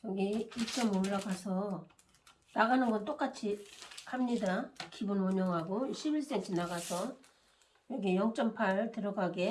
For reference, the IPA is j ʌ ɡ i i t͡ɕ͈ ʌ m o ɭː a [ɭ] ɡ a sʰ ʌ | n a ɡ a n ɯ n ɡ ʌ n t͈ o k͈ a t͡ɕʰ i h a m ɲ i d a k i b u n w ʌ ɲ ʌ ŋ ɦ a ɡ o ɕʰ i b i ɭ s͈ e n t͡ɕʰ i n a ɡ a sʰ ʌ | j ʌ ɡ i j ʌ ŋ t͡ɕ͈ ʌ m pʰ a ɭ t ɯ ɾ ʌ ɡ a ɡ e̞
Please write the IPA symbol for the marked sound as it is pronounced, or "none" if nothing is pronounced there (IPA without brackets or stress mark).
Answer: none